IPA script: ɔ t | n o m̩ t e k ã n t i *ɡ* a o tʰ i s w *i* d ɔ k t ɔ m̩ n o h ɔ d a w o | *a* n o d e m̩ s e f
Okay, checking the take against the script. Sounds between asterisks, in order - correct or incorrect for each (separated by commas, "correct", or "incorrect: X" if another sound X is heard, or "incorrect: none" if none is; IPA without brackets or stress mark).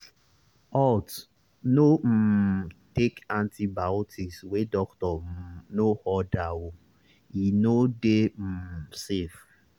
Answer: incorrect: b, incorrect: e, incorrect: i